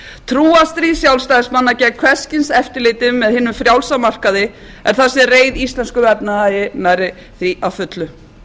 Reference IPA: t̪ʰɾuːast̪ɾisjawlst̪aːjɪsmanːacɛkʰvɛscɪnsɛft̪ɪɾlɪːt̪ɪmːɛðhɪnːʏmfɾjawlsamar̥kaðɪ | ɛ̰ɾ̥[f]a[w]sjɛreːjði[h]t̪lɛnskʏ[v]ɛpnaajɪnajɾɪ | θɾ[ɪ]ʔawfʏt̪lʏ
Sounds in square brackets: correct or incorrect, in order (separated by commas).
incorrect, incorrect, incorrect, correct, incorrect